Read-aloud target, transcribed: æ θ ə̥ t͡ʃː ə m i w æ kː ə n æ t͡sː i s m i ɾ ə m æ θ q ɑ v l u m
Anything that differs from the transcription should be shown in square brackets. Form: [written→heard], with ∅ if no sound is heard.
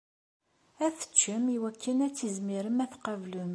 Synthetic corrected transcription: æ θ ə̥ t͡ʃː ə m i w æ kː ə n æ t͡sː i [s→z] m i ɾ ə m æ θ q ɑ v l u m